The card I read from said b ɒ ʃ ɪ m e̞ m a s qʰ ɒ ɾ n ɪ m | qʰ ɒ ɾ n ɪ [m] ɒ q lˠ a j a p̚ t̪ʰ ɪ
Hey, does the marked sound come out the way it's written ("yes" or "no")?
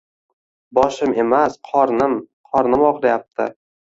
yes